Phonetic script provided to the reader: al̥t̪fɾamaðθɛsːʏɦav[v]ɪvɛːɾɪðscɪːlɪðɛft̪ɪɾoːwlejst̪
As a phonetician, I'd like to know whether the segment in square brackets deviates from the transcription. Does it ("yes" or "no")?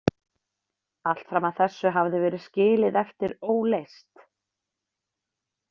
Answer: yes